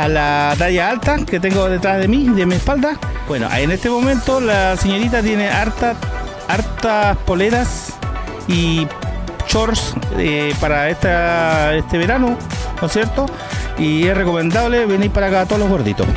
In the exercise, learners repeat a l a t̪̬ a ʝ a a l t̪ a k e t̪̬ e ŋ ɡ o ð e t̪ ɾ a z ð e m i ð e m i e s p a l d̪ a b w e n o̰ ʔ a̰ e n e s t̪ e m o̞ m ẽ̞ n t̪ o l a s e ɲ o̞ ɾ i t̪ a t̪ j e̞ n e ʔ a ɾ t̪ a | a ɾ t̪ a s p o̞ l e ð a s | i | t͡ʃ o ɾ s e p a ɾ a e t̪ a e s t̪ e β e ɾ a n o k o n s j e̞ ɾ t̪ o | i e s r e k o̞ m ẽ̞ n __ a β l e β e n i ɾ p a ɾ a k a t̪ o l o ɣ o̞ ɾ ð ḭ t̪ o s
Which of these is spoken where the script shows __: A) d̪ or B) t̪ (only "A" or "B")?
A